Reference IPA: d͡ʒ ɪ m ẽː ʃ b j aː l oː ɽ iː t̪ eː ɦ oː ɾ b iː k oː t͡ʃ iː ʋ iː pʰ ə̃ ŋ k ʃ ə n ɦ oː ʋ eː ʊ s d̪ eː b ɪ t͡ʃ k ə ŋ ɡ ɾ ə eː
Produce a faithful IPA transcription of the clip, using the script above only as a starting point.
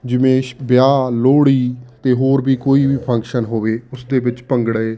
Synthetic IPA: d͡ʒ ɪ m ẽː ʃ b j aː l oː ɽ iː t̪ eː ɦ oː ɾ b iː k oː iː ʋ iː pʰ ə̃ ŋ k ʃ ə n ɦ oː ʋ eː ʊ s d̪ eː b ɪ t͡ʃ p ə ŋ ɡ ɽ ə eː